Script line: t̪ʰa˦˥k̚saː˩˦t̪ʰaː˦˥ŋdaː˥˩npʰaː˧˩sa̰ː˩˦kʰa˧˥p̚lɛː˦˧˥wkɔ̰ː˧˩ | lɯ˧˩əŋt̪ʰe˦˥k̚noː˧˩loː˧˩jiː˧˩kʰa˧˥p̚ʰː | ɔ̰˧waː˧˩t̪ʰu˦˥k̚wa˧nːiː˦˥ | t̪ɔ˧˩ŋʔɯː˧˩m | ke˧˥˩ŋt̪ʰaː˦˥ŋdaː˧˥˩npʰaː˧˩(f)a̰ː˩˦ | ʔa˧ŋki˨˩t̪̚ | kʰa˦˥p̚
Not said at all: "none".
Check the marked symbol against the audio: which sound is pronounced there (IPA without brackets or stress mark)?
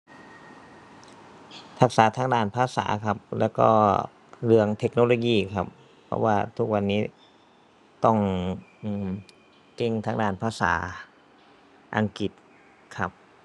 s